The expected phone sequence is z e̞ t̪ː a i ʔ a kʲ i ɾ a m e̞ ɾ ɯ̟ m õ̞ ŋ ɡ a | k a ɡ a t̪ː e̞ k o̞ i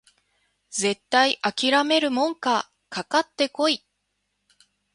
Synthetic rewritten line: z e̞ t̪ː a i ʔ a kʲ i ɾ a m e̞ ɾ ɯ̟ m õ̞ ŋ k a | k a k a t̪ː e̞ k o̞ i